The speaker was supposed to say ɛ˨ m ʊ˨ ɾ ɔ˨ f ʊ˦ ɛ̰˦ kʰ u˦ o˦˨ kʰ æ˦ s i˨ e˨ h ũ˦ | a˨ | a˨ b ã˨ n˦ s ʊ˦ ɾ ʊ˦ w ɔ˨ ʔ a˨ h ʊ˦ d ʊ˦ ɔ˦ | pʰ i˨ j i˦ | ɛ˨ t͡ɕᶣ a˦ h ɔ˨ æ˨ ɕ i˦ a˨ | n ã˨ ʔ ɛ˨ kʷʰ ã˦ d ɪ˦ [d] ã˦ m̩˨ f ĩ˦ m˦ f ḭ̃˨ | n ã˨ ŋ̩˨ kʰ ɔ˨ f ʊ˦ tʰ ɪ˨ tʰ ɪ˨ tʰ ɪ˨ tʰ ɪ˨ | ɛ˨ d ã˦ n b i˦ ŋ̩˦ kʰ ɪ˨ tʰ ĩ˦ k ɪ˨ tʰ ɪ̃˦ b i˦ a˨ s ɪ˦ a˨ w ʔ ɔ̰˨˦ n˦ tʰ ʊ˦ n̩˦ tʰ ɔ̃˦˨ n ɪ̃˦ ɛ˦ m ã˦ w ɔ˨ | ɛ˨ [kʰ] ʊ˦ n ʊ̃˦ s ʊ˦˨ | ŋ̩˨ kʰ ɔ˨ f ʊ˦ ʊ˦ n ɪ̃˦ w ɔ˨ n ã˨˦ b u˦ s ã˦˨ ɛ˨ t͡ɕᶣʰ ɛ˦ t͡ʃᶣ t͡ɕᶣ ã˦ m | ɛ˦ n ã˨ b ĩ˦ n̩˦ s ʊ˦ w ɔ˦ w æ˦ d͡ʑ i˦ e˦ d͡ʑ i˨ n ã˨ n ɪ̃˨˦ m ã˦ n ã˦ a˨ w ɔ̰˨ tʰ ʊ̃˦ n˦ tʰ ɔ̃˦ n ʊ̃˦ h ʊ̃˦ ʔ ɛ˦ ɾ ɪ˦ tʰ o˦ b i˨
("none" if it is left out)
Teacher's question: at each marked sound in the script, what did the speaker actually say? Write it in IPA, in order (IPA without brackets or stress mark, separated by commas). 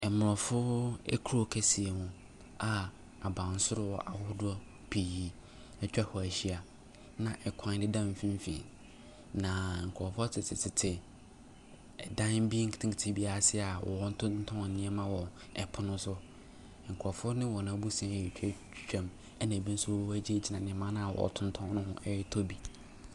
d, pʰ